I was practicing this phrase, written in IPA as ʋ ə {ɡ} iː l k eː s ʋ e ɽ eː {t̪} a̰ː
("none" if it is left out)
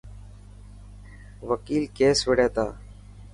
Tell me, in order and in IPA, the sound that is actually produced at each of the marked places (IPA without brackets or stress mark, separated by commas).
k, t̪